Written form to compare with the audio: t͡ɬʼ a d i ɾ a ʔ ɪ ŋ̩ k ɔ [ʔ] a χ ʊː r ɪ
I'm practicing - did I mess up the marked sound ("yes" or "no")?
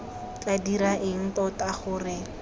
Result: yes